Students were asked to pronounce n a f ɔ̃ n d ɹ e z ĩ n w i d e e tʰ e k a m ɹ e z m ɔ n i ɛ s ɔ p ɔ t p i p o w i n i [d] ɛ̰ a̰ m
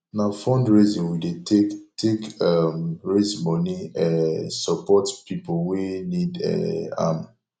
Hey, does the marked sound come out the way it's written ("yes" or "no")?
yes